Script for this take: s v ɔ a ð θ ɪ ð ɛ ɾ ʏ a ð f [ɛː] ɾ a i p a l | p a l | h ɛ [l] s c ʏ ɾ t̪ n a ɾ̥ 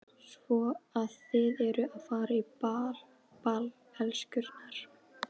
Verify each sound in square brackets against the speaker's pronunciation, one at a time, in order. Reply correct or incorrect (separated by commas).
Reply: incorrect, correct